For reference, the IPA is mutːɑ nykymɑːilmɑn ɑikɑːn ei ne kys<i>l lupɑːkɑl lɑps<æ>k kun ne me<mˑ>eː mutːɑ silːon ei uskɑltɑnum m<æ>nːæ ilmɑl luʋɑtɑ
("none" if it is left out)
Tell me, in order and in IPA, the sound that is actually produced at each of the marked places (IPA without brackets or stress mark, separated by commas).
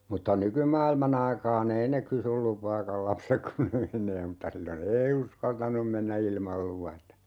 y, e, nˑ, e